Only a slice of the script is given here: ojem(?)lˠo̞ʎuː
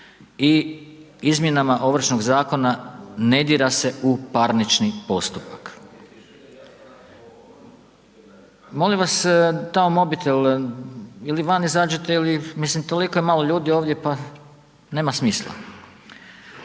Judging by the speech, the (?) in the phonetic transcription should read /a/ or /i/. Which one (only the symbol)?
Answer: a